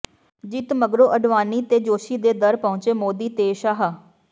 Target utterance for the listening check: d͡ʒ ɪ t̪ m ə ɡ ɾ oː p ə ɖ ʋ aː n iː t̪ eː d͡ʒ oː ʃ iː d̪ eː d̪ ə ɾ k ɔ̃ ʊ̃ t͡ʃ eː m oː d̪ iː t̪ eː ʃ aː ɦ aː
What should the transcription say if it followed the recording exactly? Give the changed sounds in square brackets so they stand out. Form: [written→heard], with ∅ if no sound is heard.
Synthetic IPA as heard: d͡ʒ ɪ t̪ m ə ɡ ɾ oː [p→ʔ] ə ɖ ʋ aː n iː t̪ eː d͡ʒ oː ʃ iː d̪ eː d̪ ə ɾ [k→p] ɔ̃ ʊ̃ t͡ʃ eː m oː d̪ iː t̪ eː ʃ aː ɦ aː